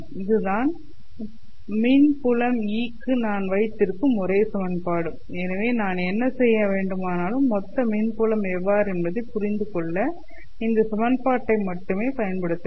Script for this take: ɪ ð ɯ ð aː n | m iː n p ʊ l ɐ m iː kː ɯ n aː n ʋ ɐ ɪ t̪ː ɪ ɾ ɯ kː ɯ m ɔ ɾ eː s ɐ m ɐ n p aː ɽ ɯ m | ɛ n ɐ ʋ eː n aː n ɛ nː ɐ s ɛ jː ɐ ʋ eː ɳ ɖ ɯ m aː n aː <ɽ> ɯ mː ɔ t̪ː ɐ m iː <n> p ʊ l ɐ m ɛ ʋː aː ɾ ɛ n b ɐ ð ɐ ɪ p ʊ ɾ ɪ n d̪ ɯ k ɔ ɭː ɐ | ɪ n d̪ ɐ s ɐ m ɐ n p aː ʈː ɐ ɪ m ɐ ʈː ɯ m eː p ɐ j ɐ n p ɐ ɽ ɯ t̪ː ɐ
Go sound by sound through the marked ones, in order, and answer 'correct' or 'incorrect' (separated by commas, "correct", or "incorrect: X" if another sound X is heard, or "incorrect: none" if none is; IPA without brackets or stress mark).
incorrect: l, correct